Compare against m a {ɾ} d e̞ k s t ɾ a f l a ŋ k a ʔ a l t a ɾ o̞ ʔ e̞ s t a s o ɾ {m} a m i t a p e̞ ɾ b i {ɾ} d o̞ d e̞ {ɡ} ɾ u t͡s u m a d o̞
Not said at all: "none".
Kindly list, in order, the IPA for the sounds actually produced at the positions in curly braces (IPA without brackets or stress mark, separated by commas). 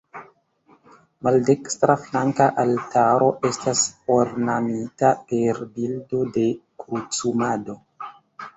l, n, l, k